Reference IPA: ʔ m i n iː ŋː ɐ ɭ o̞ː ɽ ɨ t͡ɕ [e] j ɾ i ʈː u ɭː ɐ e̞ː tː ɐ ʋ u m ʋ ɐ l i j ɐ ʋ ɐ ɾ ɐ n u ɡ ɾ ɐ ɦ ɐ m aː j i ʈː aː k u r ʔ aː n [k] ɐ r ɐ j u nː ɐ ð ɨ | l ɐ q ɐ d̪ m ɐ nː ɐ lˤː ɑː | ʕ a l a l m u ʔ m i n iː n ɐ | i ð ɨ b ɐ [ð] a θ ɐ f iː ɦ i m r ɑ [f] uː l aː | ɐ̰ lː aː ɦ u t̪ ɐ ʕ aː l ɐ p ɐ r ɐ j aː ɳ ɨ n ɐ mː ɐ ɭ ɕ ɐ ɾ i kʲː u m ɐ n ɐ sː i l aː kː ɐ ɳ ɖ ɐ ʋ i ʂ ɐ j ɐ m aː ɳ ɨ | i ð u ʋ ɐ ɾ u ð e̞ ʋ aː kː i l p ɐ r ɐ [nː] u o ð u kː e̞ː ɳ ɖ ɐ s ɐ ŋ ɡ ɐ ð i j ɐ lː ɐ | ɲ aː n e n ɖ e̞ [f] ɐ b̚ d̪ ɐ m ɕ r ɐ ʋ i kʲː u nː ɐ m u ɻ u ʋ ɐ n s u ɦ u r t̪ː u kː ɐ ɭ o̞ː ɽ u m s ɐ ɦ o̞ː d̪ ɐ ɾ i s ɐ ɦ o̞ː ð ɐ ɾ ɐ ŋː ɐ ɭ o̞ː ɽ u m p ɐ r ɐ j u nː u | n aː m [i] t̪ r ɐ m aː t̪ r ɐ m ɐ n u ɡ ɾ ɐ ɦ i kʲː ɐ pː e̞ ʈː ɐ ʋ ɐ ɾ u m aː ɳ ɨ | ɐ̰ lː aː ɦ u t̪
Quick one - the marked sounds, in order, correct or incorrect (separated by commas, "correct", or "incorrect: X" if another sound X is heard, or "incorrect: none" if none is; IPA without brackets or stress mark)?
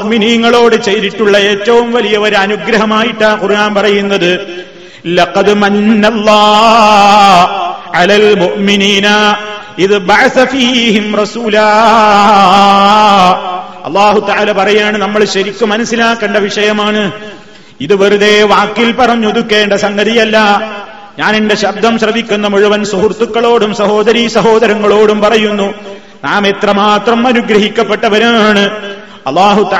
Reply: correct, incorrect: p, incorrect: ʕ, incorrect: s, incorrect: ɲː, incorrect: ɕ, incorrect: e